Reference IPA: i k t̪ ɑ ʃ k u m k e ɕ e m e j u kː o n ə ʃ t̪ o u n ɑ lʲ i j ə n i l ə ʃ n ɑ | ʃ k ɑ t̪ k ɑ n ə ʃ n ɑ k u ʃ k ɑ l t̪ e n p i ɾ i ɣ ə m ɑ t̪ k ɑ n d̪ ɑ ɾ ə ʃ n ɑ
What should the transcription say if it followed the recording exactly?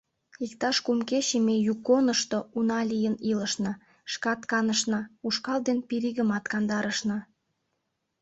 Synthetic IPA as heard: i k t̪ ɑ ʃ k u m k e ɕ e m e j u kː o n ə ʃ t̪ o u n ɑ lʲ i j ə n i l ə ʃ n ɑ | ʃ k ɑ t̪ k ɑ n ə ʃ n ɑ u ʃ k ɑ l d̪ e n p i ɾ i ɣ ə m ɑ t̪ k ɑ n d̪ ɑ ɾ ə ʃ n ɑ